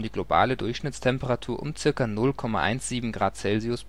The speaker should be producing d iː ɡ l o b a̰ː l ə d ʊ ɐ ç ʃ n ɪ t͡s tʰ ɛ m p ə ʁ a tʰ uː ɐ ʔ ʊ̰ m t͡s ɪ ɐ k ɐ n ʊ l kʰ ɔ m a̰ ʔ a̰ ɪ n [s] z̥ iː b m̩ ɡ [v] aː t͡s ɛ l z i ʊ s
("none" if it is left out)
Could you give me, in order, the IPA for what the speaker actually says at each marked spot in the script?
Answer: s, ʁ

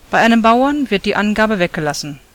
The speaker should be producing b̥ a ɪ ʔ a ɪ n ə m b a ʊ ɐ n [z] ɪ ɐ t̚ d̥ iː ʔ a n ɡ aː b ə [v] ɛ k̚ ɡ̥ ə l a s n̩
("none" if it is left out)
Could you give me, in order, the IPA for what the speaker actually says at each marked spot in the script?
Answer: v, v

